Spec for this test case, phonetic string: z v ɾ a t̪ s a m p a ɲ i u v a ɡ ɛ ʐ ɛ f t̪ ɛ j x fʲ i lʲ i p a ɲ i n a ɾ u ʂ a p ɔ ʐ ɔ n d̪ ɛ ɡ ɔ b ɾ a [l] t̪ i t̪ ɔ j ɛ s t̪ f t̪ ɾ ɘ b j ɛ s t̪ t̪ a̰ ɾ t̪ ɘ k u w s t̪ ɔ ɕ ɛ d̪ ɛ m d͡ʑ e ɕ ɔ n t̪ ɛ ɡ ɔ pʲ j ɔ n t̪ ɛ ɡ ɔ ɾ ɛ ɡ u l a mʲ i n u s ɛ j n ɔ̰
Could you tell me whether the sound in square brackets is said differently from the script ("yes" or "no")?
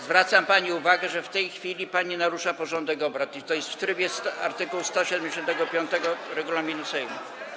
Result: yes